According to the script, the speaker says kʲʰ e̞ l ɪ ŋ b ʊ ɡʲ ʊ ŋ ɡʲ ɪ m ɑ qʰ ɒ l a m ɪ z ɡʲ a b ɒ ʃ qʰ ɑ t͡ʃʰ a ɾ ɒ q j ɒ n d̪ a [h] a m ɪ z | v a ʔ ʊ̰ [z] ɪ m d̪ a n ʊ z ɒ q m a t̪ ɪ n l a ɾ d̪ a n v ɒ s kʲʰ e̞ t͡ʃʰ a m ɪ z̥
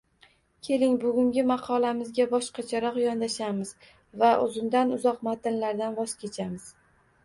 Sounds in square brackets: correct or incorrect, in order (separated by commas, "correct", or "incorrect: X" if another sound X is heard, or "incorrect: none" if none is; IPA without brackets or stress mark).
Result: incorrect: ʃ, correct